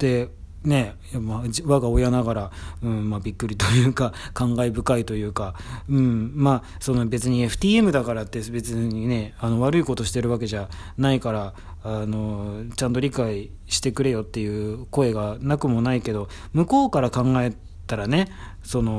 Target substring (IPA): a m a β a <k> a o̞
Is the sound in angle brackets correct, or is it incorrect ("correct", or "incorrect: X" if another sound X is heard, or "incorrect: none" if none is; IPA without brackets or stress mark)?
incorrect: ɡ